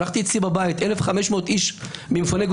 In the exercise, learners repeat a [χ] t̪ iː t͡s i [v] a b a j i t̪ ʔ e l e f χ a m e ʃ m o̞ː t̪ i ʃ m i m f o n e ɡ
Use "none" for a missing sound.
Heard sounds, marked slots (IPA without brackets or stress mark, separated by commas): χ, b